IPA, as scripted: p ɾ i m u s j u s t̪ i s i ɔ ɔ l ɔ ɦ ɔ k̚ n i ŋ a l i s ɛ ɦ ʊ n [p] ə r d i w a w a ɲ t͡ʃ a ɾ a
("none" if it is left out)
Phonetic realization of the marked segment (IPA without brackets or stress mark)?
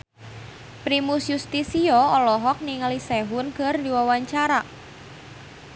k